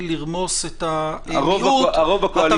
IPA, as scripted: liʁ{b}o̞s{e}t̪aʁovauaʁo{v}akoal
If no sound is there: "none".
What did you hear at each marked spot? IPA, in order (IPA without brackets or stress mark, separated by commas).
m, e, v